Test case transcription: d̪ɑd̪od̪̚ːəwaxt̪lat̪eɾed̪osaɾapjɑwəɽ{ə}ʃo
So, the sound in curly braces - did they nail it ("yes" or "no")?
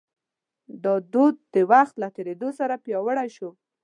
no